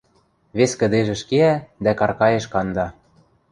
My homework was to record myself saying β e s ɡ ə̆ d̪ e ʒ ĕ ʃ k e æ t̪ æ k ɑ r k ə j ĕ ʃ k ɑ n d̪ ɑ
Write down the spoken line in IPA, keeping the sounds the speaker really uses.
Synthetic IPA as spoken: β e s k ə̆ d̪ e ʒ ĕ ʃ k e æ d̪ æ k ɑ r k ɑ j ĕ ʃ k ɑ n d̪ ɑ

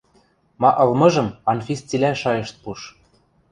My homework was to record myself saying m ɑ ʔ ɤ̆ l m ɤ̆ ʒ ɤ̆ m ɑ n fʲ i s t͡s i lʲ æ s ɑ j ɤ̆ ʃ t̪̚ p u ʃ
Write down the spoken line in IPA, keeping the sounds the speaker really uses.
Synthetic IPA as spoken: m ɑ ʔ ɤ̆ l m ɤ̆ ʒ ɤ̆ m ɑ n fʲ i s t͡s i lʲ æ ʃ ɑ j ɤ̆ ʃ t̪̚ p u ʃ

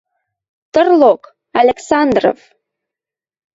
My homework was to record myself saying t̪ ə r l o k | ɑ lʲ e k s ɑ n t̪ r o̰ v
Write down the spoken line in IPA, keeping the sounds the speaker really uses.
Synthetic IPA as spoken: t̪ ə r l o k | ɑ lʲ e k s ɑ n d̪ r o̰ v

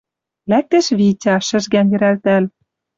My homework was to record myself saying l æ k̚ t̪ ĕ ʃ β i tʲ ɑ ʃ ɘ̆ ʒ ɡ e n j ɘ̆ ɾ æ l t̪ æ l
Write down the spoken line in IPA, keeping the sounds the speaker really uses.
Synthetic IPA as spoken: l æ k̚ t̪ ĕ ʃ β i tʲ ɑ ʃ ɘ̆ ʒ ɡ æ n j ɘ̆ ɾ æ l t̪ æ l

